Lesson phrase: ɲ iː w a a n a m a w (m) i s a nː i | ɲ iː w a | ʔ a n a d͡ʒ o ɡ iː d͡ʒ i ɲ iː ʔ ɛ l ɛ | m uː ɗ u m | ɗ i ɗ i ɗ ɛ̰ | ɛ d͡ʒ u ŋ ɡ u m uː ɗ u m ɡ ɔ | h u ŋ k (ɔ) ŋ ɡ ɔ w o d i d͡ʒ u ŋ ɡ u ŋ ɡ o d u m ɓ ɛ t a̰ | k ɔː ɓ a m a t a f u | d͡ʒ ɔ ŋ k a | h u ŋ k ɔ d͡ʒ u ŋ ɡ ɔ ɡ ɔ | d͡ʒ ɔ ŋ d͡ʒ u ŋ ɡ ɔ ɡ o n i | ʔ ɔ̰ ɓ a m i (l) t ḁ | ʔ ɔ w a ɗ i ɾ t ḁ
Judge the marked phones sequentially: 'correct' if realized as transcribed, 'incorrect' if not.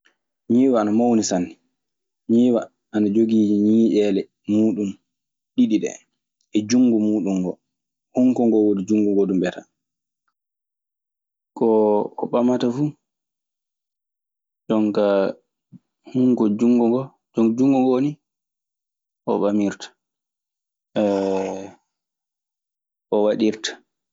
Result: incorrect, correct, incorrect

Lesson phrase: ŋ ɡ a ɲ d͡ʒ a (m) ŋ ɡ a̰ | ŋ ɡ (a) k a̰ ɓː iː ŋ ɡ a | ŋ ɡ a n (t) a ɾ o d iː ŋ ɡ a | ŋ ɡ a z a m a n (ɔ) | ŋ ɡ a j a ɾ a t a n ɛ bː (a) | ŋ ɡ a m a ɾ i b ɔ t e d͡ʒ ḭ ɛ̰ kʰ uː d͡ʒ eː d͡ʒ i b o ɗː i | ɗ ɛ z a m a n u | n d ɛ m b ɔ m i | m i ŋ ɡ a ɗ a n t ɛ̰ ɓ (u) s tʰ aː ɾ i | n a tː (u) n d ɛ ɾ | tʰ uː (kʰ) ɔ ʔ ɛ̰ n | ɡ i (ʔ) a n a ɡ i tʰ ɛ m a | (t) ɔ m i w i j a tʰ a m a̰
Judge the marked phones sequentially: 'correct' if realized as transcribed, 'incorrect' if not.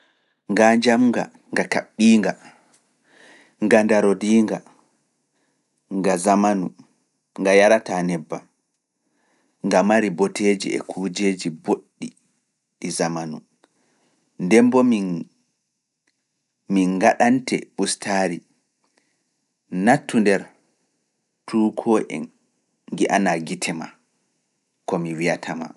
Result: correct, correct, incorrect, incorrect, correct, correct, correct, correct, correct, incorrect

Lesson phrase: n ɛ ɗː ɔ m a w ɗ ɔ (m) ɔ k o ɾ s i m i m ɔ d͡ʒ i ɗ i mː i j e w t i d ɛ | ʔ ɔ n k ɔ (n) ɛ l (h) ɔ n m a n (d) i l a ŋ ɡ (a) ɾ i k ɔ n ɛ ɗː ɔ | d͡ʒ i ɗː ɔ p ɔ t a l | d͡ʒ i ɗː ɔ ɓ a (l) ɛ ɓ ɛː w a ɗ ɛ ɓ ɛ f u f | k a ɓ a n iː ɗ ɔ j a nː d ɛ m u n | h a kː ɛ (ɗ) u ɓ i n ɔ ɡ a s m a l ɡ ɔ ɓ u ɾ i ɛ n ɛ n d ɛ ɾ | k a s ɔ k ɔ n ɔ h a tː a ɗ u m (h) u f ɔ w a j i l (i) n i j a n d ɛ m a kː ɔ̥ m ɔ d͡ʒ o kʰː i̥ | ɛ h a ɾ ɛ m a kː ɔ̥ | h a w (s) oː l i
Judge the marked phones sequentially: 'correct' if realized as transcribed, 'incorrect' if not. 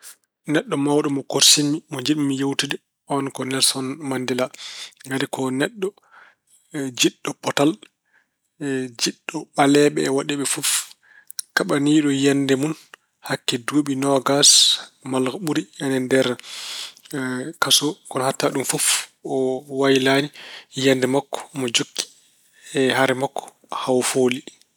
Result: correct, correct, incorrect, correct, correct, correct, incorrect, incorrect, incorrect, incorrect

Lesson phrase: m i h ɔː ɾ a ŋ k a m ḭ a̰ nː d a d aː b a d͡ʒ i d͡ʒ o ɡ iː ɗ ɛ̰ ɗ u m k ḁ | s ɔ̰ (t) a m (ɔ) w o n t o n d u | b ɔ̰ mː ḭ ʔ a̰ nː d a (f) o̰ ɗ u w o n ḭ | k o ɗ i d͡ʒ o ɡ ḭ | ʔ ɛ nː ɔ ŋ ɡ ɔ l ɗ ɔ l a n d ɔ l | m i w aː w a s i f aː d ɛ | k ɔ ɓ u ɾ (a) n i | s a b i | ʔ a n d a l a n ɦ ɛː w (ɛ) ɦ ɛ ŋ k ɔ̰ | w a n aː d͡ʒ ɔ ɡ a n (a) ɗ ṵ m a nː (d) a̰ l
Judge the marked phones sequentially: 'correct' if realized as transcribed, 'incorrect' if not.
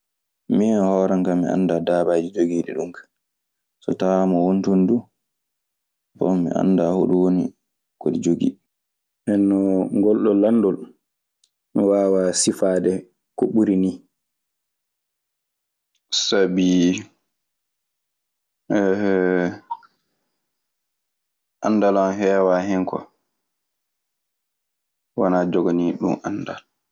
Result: correct, correct, incorrect, incorrect, incorrect, incorrect, correct

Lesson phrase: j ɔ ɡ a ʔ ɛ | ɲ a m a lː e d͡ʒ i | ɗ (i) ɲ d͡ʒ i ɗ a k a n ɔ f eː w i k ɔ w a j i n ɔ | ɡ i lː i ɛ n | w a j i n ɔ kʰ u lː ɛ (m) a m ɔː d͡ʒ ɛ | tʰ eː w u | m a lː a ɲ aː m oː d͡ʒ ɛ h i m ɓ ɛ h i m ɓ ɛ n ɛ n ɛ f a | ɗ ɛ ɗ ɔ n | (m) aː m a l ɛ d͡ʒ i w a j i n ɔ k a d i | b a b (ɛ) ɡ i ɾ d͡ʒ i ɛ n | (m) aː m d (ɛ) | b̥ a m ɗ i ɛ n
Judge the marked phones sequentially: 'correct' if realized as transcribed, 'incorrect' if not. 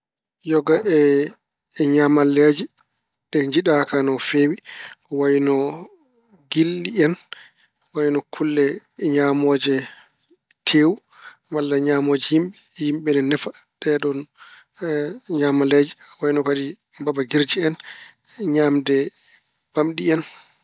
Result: incorrect, incorrect, incorrect, incorrect, incorrect, correct

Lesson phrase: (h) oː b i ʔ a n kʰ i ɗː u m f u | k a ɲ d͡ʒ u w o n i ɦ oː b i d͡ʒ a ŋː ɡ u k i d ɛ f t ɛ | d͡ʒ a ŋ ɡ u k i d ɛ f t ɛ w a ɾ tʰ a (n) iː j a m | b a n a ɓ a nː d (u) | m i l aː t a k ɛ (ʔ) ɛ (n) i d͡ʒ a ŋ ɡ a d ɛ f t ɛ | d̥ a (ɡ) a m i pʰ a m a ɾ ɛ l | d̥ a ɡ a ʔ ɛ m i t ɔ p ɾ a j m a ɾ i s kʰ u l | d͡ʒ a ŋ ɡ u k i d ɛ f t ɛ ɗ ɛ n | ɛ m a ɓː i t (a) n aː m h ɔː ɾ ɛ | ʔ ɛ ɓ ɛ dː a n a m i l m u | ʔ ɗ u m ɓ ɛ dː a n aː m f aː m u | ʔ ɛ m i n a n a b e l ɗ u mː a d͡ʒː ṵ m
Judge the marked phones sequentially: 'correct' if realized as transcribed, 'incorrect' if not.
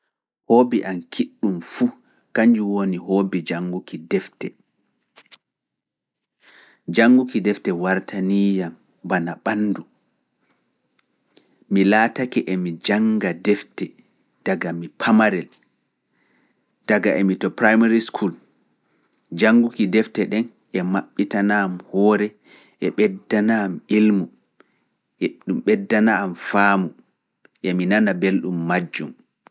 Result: correct, correct, correct, correct, incorrect, correct, correct

